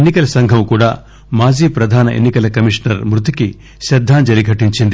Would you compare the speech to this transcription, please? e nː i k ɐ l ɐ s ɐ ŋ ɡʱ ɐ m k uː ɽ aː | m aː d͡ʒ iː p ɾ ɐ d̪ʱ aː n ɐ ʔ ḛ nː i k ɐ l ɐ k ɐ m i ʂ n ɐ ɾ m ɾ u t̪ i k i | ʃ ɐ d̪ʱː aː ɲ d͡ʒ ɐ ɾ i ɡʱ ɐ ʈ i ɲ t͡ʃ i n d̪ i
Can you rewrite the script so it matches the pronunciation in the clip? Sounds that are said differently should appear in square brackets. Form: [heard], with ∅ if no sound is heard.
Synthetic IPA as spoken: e nː i k ɐ l ɐ s ɐ ŋ ɡʱ ɐ m k uː ɽ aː | m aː d͡ʒ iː p ɾ ɐ d̪ʱ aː n ɐ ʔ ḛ nː i k ɐ l ɐ k ɐ m i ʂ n ɐ ɾ m ɾ u t̪ i k i | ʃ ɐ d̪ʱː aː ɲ d͡ʒ ɐ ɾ i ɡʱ ɐ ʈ i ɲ t͡ʃ i n d̪ i